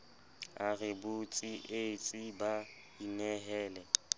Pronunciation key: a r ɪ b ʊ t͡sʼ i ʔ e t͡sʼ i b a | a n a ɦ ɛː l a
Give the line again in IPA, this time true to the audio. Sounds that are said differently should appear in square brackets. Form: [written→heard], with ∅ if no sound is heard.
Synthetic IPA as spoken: a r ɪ b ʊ t͡sʼ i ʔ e t͡sʼ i b a | [a→i] n [a→ɛ] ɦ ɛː l [a→ɛ]

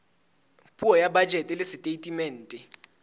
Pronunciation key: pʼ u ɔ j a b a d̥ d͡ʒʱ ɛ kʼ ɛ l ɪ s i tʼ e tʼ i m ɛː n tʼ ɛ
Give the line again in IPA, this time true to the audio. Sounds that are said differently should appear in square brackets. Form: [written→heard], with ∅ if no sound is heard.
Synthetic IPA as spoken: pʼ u ɔ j a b a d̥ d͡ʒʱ ɛ [kʼ→tʼ] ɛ l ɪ s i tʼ e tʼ i m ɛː n tʼ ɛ

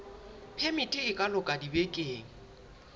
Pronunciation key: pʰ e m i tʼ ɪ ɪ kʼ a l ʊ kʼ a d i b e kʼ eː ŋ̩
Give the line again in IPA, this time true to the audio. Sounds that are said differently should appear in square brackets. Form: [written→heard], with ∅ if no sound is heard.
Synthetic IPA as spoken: pʰ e m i tʼ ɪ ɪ kʼ a l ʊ kʼ a d i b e kʼ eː ŋ̩

